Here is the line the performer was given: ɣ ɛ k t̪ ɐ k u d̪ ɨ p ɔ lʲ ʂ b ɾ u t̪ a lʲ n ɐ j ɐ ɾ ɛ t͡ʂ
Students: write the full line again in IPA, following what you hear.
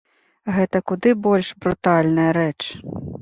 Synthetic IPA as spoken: ɣ ɛ t̪ ɐ k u d̪ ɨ b ɔ lʲ ʂ b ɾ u t̪ a lʲ n ɐ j ɐ ɾ ɛ t͡ʂ